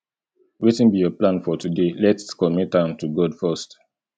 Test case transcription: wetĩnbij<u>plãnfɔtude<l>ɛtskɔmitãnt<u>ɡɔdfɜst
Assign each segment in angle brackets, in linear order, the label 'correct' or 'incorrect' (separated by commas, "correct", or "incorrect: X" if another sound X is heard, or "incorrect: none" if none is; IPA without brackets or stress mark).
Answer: incorrect: ɔ, correct, correct